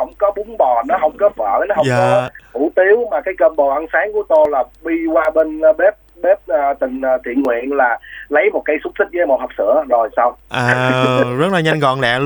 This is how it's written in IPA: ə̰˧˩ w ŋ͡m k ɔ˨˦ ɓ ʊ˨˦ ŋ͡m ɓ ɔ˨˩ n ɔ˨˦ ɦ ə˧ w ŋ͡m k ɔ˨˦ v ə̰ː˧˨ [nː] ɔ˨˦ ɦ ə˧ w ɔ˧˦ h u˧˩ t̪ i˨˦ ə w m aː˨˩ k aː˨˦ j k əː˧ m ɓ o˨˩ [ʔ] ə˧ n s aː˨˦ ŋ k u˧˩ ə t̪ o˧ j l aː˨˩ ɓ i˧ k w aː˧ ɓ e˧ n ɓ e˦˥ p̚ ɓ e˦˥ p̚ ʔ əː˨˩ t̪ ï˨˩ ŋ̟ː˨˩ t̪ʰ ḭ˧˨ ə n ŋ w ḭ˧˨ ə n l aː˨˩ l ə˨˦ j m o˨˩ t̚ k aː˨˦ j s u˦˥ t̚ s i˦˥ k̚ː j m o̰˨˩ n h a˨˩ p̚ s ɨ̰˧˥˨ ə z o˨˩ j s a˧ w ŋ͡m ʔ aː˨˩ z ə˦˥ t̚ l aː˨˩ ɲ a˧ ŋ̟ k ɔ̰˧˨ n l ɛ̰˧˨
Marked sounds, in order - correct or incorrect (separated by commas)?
incorrect, correct